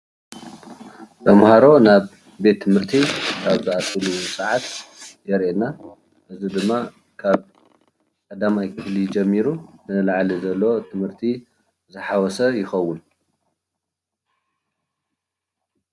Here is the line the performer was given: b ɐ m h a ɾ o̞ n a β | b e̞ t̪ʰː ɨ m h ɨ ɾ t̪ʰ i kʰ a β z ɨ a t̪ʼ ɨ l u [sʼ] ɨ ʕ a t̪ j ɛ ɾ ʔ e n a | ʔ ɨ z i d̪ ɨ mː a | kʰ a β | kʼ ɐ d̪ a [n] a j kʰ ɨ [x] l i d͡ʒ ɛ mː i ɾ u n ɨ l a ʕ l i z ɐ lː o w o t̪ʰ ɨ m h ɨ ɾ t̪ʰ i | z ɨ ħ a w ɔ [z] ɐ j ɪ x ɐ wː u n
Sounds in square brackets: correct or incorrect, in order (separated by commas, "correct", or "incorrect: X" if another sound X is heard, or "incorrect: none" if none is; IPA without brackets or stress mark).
correct, incorrect: m, incorrect: f, incorrect: s